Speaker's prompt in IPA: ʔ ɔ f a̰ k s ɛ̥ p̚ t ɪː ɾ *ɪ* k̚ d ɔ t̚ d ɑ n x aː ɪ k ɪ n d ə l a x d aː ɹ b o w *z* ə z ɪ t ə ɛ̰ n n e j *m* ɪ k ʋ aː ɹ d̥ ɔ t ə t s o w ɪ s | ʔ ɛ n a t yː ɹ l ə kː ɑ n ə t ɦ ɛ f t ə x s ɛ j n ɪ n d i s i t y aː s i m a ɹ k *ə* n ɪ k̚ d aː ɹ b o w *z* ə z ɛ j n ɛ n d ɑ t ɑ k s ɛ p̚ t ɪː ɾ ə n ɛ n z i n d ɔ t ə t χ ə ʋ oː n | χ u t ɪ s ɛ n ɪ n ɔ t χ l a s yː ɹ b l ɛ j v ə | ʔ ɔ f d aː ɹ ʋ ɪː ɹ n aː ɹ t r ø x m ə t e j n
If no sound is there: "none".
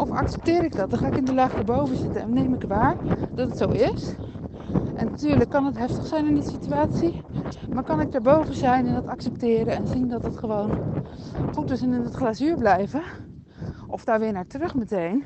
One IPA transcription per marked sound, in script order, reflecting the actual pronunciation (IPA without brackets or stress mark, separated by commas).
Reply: ɪ, v, m, ɑ, v